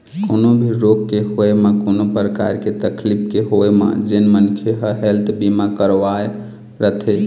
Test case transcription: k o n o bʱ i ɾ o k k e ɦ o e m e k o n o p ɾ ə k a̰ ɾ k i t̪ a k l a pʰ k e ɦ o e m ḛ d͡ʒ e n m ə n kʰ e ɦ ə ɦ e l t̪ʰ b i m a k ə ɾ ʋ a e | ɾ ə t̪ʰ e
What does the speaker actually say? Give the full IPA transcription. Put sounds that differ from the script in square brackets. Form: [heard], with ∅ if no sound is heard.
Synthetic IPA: k o n o bʱ i ɾ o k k e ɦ o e m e k o n o p ɾ ə k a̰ ɾ k [e] t̪ [ə] k l [i] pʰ k e ɦ o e m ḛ d͡ʒ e n m ə n kʰ e ɦ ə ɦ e l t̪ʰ b i m a k ə ɾ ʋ a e | ɾ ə t̪ʰ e